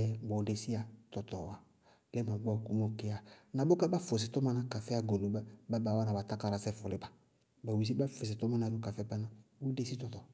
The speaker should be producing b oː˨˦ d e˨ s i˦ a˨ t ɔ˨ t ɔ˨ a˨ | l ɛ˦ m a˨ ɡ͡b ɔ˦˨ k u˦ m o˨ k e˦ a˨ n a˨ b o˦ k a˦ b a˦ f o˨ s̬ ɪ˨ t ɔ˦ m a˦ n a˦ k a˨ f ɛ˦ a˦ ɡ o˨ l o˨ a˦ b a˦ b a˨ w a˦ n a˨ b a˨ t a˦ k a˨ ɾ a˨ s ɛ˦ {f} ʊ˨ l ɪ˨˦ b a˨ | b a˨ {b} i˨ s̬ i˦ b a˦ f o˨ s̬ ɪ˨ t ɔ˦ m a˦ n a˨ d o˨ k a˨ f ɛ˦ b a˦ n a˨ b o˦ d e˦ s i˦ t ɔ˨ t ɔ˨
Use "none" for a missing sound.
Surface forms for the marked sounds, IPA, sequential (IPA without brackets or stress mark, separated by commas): f, w